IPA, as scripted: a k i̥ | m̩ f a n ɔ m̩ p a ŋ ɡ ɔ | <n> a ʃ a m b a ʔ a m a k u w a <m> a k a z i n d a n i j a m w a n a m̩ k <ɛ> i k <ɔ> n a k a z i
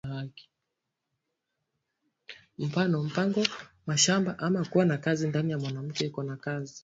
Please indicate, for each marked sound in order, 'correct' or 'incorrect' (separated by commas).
incorrect, incorrect, correct, correct